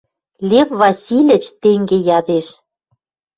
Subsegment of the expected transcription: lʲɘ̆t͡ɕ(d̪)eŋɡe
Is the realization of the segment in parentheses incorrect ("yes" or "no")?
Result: yes